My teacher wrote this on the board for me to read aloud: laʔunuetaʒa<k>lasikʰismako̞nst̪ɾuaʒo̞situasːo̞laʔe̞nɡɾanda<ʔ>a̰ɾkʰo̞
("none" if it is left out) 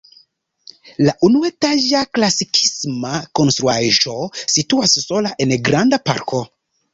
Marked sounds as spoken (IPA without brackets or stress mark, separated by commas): k, p